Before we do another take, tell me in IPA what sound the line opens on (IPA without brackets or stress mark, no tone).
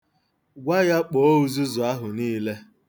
ɡʷ